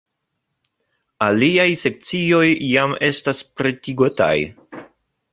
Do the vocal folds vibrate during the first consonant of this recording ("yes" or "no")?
yes